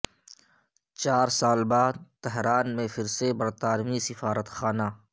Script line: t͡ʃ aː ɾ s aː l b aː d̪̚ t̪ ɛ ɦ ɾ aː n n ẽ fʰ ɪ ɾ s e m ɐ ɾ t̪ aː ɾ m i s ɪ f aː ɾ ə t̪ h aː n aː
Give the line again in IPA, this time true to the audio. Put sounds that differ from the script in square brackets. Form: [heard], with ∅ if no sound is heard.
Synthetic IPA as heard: t͡ʃ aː ɾ s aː l b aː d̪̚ t̪ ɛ ɦ ɾ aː n [m] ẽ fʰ ɪ ɾ s e [b] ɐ ɾ t̪ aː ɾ m i s ɪ f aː ɾ ə t̪ [x] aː n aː